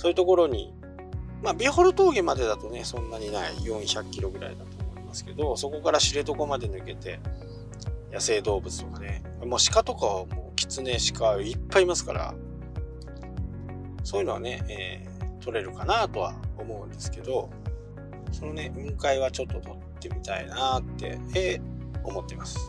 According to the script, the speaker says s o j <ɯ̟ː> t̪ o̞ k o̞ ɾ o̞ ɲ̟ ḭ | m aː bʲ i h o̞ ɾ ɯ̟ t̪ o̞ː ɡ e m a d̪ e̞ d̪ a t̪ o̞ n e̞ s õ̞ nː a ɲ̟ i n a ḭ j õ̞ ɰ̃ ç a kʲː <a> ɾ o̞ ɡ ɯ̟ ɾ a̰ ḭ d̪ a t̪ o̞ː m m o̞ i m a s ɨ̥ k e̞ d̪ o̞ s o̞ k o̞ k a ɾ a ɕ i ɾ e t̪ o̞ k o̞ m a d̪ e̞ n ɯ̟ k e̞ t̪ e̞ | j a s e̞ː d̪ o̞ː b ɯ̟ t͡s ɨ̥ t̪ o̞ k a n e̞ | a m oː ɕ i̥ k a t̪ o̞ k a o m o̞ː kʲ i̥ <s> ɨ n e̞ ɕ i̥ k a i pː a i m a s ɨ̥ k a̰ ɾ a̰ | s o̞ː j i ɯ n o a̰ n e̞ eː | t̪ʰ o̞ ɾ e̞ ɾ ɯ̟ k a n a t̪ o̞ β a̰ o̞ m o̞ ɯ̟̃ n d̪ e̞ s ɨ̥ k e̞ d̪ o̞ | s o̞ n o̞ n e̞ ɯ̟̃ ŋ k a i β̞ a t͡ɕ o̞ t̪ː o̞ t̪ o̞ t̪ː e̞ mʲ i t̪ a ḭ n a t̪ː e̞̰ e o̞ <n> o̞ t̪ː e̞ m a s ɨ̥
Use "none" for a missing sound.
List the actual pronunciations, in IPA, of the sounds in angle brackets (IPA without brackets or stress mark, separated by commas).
ɯ̟, i, t͡s, m